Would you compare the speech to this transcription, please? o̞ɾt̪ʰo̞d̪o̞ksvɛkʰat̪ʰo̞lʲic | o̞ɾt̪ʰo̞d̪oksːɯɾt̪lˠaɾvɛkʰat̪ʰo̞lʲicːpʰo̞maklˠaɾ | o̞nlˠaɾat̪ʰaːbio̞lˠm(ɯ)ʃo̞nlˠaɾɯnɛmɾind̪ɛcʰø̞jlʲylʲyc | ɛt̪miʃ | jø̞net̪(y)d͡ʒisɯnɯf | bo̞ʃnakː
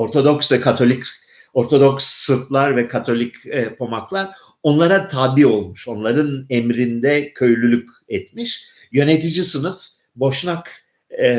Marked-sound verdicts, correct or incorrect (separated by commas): incorrect, incorrect